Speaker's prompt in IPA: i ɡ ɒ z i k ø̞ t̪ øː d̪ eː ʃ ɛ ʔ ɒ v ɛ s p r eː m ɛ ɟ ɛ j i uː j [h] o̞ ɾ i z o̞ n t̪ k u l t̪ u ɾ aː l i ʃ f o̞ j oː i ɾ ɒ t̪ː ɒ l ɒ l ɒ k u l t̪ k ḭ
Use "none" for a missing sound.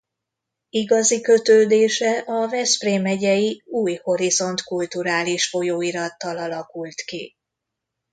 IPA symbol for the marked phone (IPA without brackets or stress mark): h